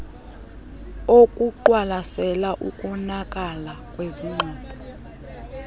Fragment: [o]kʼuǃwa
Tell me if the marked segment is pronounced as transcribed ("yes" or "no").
yes